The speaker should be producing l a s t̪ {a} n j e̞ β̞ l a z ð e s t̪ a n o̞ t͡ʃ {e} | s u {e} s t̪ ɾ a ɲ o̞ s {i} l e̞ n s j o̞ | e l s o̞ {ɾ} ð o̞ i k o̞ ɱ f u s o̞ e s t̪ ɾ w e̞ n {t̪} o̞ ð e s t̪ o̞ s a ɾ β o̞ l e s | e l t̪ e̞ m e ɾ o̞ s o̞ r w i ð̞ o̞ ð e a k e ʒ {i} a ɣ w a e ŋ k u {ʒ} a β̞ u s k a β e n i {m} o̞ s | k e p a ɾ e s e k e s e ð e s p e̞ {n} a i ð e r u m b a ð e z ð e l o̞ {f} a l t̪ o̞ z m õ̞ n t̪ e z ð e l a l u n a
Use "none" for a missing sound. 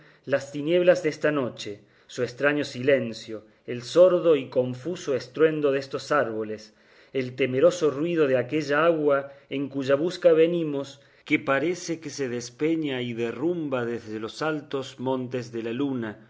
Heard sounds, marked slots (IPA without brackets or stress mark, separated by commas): i, e, e, i, ɾ, d̪, a, ʒ, m, ɲ, s